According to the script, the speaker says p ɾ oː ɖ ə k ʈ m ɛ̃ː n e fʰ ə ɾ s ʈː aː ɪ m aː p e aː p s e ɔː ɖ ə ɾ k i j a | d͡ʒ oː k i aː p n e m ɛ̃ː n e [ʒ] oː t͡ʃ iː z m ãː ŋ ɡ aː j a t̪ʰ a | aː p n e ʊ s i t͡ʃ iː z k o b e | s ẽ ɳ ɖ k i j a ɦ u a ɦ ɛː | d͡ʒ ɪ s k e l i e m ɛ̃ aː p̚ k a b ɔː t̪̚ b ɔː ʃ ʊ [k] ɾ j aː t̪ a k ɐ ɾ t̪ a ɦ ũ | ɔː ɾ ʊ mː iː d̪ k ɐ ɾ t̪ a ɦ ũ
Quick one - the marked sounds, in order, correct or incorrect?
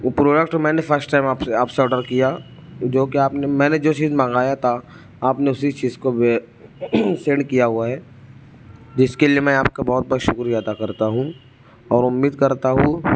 incorrect: d͡ʒ, correct

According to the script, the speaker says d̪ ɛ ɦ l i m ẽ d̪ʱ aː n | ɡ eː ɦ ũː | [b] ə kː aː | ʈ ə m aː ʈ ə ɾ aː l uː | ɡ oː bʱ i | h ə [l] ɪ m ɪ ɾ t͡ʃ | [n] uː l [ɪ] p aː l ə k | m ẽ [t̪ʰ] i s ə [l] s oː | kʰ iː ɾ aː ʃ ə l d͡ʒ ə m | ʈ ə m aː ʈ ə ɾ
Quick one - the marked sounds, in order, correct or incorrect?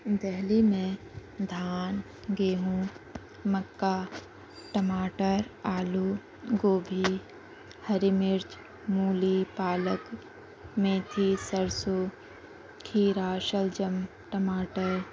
incorrect: m, incorrect: ɾ, incorrect: m, incorrect: i, correct, incorrect: ɾ

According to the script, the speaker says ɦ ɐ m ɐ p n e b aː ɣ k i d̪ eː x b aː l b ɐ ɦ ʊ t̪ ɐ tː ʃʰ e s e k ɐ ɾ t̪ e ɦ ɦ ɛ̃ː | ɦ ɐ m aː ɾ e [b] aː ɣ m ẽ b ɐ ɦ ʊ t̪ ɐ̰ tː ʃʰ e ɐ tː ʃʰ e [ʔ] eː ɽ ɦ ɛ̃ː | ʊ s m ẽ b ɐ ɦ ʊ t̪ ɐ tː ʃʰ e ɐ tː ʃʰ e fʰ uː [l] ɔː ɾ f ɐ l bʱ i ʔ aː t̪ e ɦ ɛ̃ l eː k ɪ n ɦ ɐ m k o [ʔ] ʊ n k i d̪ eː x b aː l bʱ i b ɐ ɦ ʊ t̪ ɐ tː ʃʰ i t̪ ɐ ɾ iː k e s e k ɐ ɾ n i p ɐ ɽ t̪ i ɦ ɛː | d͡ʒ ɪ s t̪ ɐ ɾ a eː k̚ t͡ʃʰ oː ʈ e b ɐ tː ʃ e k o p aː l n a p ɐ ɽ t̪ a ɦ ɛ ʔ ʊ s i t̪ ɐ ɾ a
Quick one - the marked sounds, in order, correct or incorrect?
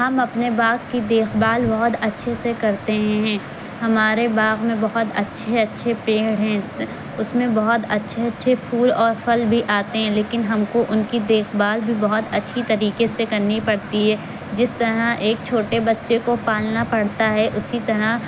correct, incorrect: p, correct, correct

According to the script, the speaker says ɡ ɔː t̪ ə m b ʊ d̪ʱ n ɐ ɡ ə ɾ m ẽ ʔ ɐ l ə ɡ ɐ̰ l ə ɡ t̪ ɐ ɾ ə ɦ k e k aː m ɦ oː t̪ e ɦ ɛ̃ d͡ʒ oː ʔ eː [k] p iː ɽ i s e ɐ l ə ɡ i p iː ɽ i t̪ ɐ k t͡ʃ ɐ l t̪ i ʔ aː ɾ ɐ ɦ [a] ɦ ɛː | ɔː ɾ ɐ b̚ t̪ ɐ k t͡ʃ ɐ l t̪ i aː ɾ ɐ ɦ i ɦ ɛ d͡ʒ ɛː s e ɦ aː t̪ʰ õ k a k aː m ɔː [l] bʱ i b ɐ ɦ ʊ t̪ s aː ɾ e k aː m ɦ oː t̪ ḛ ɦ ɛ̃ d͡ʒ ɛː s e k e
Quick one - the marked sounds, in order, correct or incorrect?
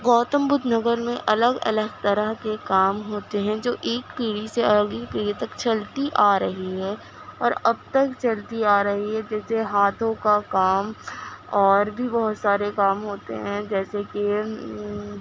correct, incorrect: i, incorrect: ɾ

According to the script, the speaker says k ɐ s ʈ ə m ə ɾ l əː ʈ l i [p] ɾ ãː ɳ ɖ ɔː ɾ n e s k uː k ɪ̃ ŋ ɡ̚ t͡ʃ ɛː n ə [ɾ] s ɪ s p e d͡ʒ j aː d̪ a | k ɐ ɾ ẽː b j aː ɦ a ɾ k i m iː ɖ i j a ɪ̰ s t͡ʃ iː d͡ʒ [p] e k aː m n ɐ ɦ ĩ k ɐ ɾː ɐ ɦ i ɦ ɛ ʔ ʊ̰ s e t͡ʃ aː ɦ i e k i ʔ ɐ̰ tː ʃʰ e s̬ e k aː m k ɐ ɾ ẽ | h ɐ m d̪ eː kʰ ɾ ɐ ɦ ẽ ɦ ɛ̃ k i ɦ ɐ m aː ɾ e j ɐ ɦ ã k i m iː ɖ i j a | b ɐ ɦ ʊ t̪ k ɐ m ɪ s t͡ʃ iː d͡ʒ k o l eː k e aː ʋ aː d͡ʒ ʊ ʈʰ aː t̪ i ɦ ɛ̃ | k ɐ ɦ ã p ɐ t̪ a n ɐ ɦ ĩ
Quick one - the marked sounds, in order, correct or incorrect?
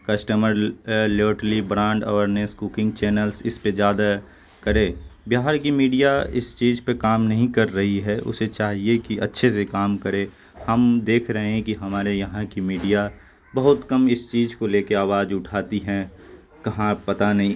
incorrect: b, incorrect: l, correct

